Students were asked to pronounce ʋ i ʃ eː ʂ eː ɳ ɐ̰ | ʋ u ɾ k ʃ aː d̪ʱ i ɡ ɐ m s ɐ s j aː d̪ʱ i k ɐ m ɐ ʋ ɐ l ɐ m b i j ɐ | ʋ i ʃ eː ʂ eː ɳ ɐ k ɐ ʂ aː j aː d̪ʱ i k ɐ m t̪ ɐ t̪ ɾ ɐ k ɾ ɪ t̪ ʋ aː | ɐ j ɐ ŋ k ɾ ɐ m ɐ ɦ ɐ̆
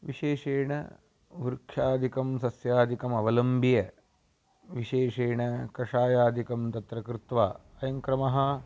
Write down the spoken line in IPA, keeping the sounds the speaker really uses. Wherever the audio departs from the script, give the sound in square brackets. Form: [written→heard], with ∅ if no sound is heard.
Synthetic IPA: ʋ i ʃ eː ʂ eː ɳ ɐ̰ | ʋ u ɾ k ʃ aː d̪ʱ i [ɡ→k] ɐ m s ɐ s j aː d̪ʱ i k ɐ m ɐ ʋ ɐ l ɐ m b i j ɐ | ʋ i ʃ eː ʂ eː ɳ ɐ k ɐ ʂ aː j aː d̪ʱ i k ɐ m t̪ ɐ t̪ ɾ ɐ k ɾ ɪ t̪ ʋ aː | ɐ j ɐ ŋ k ɾ ɐ m ɐ ɦ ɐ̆